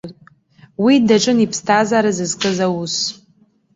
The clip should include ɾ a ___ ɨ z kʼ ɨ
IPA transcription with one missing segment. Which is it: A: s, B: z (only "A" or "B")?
B